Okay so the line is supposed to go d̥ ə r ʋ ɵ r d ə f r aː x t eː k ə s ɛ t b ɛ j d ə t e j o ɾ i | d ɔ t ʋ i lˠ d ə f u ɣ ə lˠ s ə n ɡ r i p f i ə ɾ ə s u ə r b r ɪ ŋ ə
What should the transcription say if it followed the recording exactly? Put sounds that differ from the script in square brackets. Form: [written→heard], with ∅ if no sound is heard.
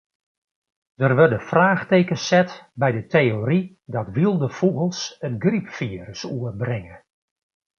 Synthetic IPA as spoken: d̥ ə r ʋ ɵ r d ə f r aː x t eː k ə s ɛ t b ɛ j d ə t e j o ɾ i | d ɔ t ʋ i lˠ d ə f u ɣ ə lˠ s ə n ɡ r i p f i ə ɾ ə s u ə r b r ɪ ŋ ə

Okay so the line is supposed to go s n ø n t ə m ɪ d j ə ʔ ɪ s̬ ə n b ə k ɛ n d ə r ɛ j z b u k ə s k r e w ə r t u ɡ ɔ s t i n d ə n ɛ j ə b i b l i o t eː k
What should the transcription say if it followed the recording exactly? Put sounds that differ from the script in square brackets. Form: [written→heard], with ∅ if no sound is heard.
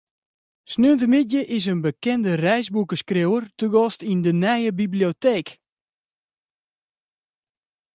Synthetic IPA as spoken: s n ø n t ə m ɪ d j ə ʔ ɪ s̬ ə n b ə k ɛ n d ə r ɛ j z b u k ə s k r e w ə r t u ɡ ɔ s t i n d ə n ɛ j ə b i b l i o t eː k

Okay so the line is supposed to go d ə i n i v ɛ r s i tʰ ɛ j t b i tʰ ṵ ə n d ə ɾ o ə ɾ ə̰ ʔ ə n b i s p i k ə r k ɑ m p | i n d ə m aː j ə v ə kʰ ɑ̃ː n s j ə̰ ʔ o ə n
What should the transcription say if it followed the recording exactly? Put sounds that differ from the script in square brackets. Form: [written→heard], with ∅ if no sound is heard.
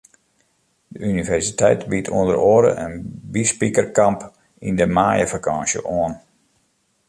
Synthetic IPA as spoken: d ə [i→y] n i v ɛ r s i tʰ ɛ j t b i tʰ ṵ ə n d ə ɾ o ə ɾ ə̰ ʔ ə n b i s p i k ə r k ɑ m p | i n d ə m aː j ə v [ə→a] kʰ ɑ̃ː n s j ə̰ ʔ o ə n

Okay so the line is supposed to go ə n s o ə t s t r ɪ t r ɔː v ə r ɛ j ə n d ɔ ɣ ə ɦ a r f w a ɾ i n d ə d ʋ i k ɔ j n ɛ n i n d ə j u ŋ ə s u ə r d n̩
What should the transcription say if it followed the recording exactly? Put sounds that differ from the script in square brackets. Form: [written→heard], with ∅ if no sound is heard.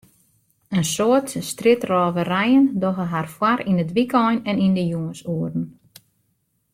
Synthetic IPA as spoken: ə n s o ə t s t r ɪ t r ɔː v ə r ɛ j ə n d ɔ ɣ ə ɦ a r f w a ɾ i n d ə d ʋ i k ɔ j n ɛ n i n d ə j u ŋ ə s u ə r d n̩

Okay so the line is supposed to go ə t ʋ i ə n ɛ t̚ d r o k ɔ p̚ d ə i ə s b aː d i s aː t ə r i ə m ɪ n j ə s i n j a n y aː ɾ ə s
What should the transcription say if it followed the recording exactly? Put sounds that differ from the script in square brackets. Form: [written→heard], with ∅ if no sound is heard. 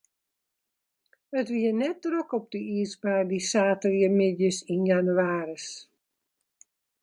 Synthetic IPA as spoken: ə t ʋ i ə n ɛ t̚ d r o k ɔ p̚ d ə i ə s b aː d i s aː t ə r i ə m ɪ [n→d] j ə s i n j a n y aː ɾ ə s

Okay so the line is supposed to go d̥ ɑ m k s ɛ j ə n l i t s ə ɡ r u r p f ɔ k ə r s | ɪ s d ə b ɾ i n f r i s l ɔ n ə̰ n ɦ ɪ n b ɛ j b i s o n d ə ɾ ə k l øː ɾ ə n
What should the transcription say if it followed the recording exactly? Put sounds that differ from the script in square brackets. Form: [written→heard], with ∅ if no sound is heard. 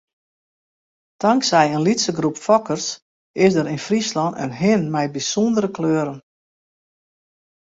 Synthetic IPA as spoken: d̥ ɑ [m→ŋ] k s ɛ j ə n l i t s ə ɡ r u [r→∅] p f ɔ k ə r s | ɪ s d ə [b→∅] ɾ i n f r i s l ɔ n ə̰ n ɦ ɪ n [b→m] ɛ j b i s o n d ə ɾ ə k l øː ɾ ə n

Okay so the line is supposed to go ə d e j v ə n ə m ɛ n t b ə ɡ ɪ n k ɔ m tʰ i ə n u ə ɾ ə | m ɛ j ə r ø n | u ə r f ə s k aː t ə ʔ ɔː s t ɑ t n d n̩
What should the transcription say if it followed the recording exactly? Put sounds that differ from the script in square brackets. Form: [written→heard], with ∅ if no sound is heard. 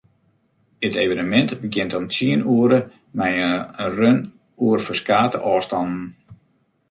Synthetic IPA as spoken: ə [d→t] e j v ə n ə m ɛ n t b ə ɡ ɪ n [k→t] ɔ m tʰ i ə n u ə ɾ ə | m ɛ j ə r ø n | u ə r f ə s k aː t ə ʔ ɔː s t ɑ [t→∅] n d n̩

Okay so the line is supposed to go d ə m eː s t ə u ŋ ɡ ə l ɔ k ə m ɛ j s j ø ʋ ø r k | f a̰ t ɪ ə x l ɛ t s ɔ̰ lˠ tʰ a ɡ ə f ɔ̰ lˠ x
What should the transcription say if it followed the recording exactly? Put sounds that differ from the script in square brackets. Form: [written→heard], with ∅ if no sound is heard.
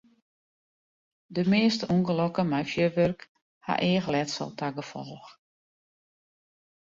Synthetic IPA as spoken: d ə m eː s t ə u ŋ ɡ ə l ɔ k ə m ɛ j [s→f] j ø ʋ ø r k | [f→h] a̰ [t→ʔ] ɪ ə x l ɛ t s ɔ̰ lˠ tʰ a ɡ ə f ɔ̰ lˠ x

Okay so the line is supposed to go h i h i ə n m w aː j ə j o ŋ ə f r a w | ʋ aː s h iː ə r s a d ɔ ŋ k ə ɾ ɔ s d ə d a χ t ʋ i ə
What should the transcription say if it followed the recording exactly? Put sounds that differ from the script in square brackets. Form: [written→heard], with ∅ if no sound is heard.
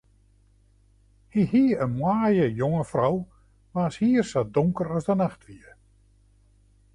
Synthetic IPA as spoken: h i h i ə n m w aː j ə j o ŋ ə f r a w | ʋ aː s h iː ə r s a d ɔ ŋ k ə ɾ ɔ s d ə [d→n] a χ t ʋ i ə

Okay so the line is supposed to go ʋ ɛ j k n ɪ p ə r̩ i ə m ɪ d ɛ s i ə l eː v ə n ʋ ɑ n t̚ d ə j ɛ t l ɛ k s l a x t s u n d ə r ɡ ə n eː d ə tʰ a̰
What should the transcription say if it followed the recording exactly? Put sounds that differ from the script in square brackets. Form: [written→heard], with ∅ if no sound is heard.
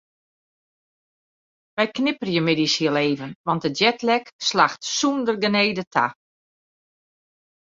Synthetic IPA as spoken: ʋ ɛ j k n ɪ p ə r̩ [i→j] ə m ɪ d [ɛ→i] s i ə l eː v ə n ʋ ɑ n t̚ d ə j ɛ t l ɛ k s l a x t s u n d ə r ɡ ə n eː d ə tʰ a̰

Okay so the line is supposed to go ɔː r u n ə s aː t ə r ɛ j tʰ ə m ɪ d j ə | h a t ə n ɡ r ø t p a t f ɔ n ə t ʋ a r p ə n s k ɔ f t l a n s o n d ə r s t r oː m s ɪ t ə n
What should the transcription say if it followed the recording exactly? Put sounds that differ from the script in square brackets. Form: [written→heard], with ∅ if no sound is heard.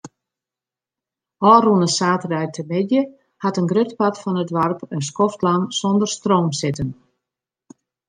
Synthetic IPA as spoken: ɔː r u n ə s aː t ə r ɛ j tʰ ə m ɪ d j ə | h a t ə n ɡ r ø t p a t f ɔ n ə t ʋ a r p ə n s k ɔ f t l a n s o n d ə r s t r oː m s ɪ t ə n

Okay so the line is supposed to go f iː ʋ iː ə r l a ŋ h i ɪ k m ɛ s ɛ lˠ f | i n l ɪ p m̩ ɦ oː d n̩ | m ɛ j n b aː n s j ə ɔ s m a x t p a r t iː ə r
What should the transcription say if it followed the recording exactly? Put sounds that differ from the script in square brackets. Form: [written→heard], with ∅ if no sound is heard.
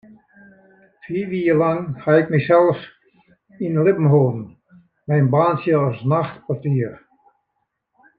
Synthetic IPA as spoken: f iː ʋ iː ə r l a ŋ h [i→a] ɪ k m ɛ s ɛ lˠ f | i n l ɪ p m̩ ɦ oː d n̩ | m ɛ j n b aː n s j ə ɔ s [m→n] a x t p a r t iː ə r

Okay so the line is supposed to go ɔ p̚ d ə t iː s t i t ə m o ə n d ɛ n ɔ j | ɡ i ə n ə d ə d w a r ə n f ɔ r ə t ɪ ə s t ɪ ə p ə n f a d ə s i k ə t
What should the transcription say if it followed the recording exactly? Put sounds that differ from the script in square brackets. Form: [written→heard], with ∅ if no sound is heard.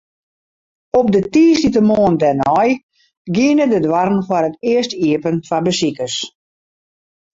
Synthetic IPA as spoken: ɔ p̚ d ə t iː s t i t ə m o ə n d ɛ n ɔ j | ɡ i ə n ə d ə d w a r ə n f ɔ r ə t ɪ ə s t [ɪ→i] ə p ə n f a [d→b] ə s i k ə [t→s]

